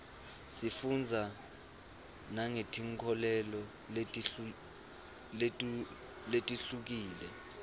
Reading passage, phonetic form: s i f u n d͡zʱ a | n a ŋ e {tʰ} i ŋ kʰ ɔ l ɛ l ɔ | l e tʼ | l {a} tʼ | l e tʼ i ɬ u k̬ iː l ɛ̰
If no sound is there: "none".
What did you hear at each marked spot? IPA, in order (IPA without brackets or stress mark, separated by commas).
tʰ, e